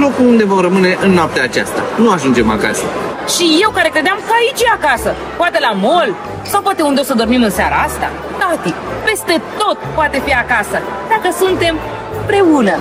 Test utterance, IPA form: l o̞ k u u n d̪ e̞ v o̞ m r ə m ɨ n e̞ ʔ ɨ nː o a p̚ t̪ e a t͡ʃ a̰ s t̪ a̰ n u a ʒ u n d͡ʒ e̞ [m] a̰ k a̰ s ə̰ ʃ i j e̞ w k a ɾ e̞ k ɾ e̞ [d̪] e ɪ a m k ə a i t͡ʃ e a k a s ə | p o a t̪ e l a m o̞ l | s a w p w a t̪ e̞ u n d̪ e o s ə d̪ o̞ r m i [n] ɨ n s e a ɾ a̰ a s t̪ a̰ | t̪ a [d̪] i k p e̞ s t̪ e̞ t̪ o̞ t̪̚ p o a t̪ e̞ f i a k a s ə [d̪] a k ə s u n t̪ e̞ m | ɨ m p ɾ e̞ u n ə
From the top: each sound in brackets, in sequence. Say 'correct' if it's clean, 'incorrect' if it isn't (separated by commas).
correct, correct, incorrect, incorrect, correct